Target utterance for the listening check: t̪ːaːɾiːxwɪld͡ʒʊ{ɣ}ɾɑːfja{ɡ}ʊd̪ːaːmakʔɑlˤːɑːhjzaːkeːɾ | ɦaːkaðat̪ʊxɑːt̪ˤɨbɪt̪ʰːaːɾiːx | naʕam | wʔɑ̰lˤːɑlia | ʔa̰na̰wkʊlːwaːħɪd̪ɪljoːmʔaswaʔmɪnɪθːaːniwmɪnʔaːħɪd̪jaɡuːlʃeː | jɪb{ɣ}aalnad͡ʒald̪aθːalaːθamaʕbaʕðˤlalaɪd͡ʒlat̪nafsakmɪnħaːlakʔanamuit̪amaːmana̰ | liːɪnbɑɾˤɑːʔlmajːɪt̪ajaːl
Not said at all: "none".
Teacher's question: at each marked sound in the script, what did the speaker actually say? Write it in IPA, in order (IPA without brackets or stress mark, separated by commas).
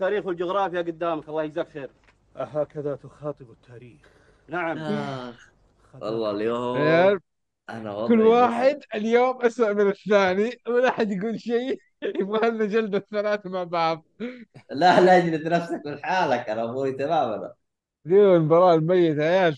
ɣ, ɡ, ɣ